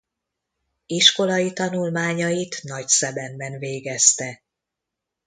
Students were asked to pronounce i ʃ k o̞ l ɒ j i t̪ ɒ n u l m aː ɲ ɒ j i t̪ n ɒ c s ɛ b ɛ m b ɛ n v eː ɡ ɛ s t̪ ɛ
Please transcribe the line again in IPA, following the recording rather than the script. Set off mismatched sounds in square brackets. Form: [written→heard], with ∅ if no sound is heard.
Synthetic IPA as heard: i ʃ k o̞ l ɒ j i t̪ ɒ n u l m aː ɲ ɒ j i t̪ n ɒ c s ɛ b ɛ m b ɛ n v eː ɡ ɛ s t̪ ɛ